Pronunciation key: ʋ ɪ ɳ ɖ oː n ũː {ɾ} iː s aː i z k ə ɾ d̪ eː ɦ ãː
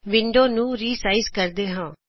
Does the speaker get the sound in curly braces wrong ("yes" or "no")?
no